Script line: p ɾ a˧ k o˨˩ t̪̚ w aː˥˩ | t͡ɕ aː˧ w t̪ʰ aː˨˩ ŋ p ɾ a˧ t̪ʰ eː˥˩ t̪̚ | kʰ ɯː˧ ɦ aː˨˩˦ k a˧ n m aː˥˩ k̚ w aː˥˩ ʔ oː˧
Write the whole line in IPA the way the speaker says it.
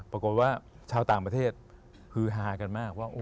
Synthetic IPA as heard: p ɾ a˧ k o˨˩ t̪̚ w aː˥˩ | t͡ɕʰ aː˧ w t̪ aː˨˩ ŋ p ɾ a˧ t̪ʰ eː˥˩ t̪̚ | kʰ ɯː˧ ɦ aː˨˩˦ k a˧ n m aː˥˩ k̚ w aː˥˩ ʔ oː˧